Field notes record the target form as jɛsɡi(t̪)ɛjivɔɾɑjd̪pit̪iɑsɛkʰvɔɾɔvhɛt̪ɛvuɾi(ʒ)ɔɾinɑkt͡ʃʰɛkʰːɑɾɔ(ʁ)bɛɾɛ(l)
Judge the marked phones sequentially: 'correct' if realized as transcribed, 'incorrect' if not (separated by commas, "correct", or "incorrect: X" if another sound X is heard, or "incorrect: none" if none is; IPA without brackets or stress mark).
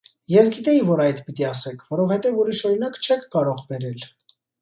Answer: correct, incorrect: ʃ, correct, correct